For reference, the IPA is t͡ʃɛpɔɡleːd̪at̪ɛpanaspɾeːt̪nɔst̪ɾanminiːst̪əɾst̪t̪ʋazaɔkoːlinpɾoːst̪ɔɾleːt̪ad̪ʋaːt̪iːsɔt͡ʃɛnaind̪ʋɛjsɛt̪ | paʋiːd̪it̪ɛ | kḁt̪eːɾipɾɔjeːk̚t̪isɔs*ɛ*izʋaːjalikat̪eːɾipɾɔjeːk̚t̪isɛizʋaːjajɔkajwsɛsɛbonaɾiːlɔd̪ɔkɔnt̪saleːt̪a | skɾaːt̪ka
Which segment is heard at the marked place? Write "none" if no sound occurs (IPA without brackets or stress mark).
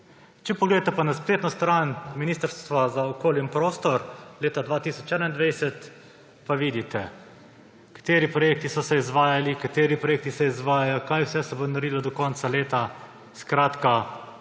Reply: ɛ